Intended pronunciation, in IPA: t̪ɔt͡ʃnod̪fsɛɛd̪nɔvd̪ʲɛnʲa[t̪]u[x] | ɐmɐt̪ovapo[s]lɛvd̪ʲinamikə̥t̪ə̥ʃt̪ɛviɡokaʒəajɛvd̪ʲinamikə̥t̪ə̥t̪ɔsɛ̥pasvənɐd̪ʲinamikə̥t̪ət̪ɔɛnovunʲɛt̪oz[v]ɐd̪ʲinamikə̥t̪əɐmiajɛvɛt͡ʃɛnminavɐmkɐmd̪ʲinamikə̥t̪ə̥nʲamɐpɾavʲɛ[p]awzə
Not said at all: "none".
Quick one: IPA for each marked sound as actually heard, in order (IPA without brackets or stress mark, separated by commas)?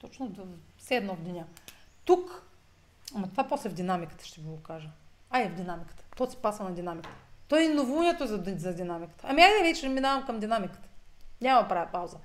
t̪, k, s, z, p